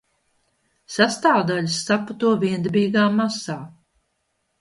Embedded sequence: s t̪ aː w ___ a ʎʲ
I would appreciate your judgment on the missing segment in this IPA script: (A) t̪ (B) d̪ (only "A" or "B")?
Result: B